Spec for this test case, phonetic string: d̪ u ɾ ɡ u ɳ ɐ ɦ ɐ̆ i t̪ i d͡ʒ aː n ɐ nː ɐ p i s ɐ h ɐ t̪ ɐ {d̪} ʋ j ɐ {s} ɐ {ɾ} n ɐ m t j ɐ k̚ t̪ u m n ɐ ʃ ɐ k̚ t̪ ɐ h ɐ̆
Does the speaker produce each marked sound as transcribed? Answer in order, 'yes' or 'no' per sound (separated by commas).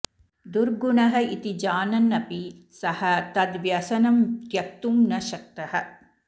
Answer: yes, yes, no